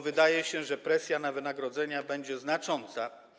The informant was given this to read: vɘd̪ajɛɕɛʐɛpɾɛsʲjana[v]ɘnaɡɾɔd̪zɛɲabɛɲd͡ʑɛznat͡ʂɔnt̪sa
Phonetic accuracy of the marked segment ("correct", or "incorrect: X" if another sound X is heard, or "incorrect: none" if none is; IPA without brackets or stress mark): correct